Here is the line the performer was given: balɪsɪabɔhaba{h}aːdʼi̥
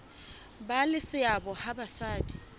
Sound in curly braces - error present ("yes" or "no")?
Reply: yes